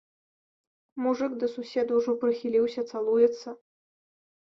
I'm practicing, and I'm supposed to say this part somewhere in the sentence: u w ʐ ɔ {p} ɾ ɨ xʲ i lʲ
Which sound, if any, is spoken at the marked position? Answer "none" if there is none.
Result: p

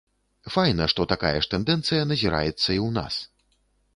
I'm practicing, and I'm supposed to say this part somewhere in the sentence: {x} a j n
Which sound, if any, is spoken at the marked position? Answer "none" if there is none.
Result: f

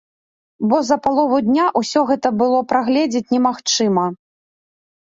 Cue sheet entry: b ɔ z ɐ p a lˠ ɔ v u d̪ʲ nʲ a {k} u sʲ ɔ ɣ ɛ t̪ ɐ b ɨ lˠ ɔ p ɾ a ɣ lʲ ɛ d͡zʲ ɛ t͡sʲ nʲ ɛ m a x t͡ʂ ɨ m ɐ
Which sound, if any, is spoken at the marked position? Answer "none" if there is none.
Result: ʔ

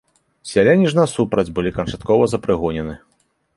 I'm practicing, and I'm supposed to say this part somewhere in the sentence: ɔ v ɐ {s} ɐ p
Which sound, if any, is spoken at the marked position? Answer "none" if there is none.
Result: z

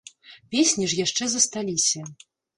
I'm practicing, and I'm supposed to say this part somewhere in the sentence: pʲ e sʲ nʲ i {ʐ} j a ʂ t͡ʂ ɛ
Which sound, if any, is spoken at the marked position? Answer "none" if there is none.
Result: ʐ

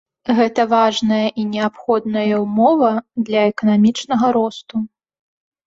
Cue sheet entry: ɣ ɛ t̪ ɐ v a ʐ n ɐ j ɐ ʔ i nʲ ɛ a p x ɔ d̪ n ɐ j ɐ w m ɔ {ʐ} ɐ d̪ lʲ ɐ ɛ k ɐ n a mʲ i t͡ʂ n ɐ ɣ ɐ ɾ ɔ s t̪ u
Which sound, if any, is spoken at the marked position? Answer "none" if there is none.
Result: v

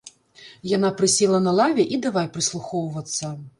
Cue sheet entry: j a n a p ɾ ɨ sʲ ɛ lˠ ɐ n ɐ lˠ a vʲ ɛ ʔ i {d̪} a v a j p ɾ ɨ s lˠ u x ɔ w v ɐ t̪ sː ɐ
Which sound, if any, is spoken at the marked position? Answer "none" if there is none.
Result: d̪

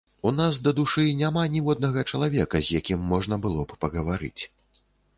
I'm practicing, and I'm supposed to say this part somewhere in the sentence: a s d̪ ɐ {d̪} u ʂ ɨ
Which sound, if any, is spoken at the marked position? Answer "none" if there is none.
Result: d̪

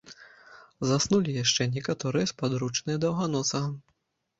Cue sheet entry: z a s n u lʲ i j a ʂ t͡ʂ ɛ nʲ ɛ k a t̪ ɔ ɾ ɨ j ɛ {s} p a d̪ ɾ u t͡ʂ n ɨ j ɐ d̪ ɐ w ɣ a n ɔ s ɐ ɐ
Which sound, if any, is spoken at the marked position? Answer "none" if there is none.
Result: s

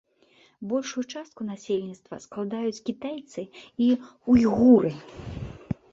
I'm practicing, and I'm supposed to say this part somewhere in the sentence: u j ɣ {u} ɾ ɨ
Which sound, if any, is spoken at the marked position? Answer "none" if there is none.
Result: u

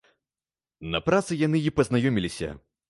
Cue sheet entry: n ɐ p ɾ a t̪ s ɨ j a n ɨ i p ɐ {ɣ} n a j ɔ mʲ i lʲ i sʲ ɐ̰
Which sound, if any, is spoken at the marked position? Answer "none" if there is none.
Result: z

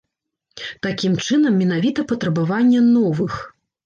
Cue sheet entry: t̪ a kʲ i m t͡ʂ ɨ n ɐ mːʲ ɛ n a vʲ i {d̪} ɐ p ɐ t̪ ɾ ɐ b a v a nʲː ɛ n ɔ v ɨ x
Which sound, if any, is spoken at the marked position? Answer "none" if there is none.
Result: t̪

